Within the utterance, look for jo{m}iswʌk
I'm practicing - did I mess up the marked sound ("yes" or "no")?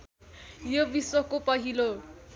yes